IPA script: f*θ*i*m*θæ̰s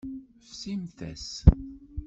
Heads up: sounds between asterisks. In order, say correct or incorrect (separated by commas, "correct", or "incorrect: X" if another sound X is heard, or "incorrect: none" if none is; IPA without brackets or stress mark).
incorrect: s, correct